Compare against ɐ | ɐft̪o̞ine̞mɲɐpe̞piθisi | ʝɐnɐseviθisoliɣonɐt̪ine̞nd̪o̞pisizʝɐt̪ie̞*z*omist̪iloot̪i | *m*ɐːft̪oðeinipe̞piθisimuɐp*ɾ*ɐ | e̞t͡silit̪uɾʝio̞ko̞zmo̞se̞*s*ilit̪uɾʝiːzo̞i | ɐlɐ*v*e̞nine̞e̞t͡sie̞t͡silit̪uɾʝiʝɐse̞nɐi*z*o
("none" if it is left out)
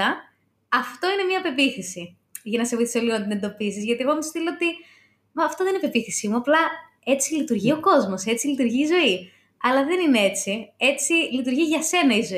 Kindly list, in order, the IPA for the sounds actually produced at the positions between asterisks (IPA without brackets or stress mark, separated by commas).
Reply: ɣ, m, l, t͡s, ð, z